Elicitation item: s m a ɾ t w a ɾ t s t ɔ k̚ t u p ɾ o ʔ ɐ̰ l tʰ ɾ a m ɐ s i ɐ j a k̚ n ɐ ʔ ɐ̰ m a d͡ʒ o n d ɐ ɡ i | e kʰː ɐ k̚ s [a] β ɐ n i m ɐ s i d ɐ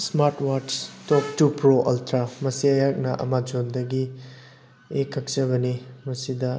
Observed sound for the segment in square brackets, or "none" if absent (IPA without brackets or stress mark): ɐ